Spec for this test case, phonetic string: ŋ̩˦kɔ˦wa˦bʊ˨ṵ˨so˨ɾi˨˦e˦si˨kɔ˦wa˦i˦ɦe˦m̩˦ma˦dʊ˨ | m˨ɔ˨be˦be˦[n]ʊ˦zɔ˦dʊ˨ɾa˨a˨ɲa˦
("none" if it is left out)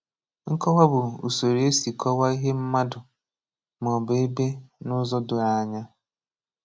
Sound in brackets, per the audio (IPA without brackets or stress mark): n